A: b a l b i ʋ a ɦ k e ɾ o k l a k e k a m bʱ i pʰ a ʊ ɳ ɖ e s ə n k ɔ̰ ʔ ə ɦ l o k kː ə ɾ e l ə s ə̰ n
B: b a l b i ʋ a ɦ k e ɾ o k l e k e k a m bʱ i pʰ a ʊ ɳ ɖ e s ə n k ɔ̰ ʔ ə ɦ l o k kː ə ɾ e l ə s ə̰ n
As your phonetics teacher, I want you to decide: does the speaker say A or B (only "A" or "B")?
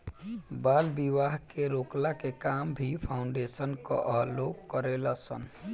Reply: A